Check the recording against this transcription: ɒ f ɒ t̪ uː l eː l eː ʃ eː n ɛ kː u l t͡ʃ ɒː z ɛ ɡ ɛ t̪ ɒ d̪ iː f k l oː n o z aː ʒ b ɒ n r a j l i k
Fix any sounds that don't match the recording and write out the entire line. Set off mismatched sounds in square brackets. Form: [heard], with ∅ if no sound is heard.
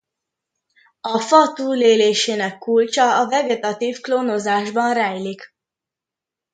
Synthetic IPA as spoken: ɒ f ɒ t̪ uː l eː l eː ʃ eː n ɛ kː u l t͡ʃ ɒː [v] ɛ ɡ ɛ t̪ ɒ [t̪] iː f k l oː n o z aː ʒ b ɒ n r [ɛ] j l i k